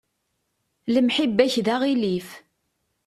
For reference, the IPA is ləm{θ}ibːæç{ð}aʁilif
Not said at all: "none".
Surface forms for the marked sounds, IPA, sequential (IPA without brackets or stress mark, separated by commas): ħ, ð